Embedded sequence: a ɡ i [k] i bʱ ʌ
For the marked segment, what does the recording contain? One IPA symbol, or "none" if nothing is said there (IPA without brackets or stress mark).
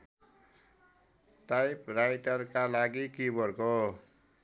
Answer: k